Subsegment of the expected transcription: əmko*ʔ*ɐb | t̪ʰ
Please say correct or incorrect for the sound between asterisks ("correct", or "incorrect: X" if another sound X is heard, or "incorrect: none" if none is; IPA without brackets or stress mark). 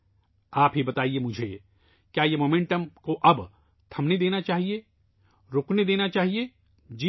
correct